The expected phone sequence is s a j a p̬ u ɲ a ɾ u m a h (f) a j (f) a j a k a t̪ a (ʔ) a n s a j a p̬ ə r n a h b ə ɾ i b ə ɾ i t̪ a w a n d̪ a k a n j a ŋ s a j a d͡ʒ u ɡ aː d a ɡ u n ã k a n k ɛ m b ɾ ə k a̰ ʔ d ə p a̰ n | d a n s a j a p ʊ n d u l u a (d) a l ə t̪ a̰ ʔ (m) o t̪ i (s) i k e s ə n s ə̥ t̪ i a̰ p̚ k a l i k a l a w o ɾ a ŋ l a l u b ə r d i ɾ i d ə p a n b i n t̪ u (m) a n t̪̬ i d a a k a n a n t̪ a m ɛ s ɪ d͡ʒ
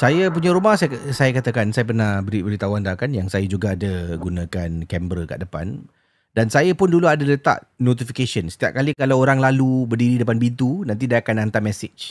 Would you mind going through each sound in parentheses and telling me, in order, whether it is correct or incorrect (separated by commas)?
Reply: incorrect, incorrect, incorrect, correct, incorrect, incorrect, incorrect